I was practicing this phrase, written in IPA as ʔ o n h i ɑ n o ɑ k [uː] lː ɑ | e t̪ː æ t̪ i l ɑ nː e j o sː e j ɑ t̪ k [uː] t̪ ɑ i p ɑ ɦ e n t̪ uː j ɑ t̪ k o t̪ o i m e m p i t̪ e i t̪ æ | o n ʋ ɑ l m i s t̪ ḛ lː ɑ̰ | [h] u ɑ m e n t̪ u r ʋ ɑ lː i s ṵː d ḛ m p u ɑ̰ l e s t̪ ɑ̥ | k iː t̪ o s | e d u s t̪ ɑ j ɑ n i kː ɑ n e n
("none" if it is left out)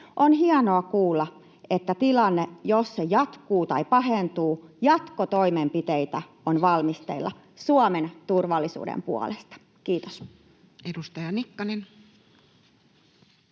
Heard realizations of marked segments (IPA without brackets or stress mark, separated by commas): uː, uː, s